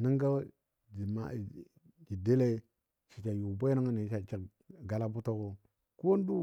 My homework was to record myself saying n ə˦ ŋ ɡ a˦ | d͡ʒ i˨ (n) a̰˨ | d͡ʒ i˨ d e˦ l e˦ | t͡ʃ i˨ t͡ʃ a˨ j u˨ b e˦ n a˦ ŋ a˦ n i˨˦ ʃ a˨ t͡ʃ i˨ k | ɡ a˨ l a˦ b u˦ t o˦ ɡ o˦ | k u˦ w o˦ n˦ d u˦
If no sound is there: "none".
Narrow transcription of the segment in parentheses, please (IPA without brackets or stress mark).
m